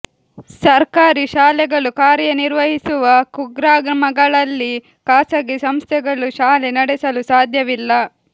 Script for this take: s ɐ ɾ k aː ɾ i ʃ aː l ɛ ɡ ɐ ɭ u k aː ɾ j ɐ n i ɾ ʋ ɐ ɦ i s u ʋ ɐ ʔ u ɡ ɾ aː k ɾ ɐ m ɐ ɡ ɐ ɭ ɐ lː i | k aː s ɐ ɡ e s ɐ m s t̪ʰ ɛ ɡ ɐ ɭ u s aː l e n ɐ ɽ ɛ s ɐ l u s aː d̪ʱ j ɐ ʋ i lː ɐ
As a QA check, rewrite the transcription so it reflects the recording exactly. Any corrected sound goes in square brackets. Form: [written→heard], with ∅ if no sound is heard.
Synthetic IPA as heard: s ɐ ɾ k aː ɾ i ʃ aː l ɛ ɡ ɐ ɭ u k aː ɾ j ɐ n i ɾ ʋ ɐ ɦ i s u ʋ ɐ [ʔ→k] u ɡ ɾ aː [k→ɡ] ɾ ɐ m ɐ ɡ ɐ ɭ ɐ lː i | k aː s ɐ ɡ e s ɐ m s t̪ʰ ɛ ɡ ɐ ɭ u [s→ʃ] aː l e n ɐ ɽ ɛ s ɐ l u s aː d̪ʱ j ɐ ʋ i lː ɐ

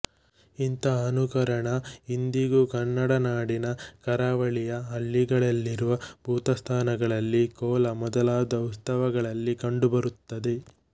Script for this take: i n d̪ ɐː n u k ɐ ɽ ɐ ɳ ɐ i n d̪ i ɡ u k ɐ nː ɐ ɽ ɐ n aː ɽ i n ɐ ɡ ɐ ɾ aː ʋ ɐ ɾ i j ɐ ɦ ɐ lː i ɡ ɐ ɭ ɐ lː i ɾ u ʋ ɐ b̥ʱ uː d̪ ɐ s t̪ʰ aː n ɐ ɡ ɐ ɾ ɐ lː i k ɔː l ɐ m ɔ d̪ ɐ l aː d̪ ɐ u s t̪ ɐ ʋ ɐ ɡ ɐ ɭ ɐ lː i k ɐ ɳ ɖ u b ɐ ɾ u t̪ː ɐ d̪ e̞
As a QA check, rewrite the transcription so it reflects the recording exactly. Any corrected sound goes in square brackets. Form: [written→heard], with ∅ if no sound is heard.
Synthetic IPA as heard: i n [d̪→t̪] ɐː n u k ɐ [ɽ→ɾ] ɐ ɳ ɐ i n d̪ i ɡ u k ɐ nː ɐ ɽ ɐ n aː ɽ i n ɐ [ɡ→k] ɐ ɾ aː ʋ ɐ [ɾ→ɭ] i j ɐ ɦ ɐ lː i ɡ ɐ ɭ ɐ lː i ɾ u ʋ ɐ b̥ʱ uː [d̪→t̪] ɐ s t̪ʰ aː n ɐ ɡ ɐ [ɾ→ɭ] ɐ lː i k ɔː l ɐ m ɔ d̪ ɐ l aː d̪ ɐ u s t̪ ɐ ʋ ɐ ɡ ɐ ɭ ɐ lː i k ɐ ɳ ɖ u b ɐ ɾ u t̪ː ɐ d̪ e̞

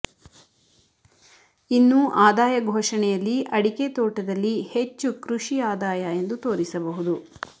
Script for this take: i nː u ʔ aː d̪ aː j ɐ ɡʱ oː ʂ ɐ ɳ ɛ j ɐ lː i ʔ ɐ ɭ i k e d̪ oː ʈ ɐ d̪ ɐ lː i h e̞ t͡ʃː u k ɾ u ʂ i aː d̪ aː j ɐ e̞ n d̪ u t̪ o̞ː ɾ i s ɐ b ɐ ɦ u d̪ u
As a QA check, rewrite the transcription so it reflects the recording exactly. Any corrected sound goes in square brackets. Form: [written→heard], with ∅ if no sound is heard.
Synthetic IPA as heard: i nː u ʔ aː d̪ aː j ɐ ɡʱ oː ʂ ɐ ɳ ɛ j ɐ lː i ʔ ɐ [ɭ→ɽ] i k e [d̪→t̪] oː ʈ ɐ d̪ ɐ lː i h e̞ t͡ʃː u k ɾ u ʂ i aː d̪ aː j ɐ e̞ n d̪ u t̪ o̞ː ɾ i s ɐ b ɐ ɦ u d̪ u

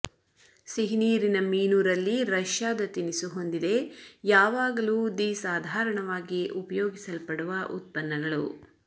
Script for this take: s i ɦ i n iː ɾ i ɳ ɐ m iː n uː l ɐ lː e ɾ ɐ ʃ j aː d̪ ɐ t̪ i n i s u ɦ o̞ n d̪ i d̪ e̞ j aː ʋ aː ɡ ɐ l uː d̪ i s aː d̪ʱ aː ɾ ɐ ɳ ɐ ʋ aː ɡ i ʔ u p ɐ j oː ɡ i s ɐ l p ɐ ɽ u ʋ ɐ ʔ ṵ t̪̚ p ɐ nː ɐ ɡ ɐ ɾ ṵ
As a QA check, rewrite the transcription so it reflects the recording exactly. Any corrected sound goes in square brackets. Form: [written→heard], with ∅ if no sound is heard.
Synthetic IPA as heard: s i ɦ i n iː ɾ i [ɳ→n] ɐ m iː n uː [l→ɾ] ɐ lː [e→i] ɾ ɐ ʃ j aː d̪ ɐ t̪ i n i s u ɦ o̞ n d̪ i d̪ e̞ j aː ʋ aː ɡ ɐ l uː d̪ i s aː d̪ʱ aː ɾ ɐ ɳ ɐ ʋ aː ɡ i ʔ u p ɐ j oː ɡ i s ɐ l p ɐ ɽ u ʋ ɐ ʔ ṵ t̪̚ p ɐ nː ɐ ɡ ɐ [ɾ→ɭ] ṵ

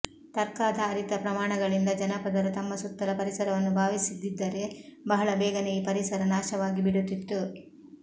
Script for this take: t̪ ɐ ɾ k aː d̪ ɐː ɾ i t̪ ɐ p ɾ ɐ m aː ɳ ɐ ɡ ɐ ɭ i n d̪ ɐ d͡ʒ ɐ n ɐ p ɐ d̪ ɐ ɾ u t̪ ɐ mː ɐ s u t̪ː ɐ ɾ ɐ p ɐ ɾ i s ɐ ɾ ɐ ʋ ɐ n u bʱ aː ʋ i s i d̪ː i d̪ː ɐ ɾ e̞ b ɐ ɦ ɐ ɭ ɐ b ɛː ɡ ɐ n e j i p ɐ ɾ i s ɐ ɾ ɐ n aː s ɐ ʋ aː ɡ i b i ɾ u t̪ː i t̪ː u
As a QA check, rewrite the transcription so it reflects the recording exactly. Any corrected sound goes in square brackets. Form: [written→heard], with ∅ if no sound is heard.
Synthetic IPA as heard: t̪ ɐ ɾ k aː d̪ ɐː ɾ i t̪ ɐ p ɾ ɐ m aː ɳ ɐ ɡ ɐ ɭ i n d̪ ɐ d͡ʒ ɐ n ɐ p ɐ d̪ ɐ ɾ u t̪ ɐ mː ɐ s u t̪ː ɐ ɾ ɐ p ɐ ɾ i s ɐ ɾ ɐ ʋ ɐ [n→nː] u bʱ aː ʋ i s i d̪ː i d̪ː ɐ ɾ e̞ b ɐ ɦ ɐ ɭ ɐ b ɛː ɡ ɐ n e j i p ɐ ɾ i s ɐ ɾ ɐ n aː [s→ʃ] ɐ ʋ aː ɡ i b i [ɾ→ɽ] u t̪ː i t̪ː u

